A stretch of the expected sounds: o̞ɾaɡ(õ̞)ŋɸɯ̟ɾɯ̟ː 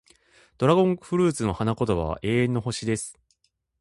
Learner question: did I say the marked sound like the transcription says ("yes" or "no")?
yes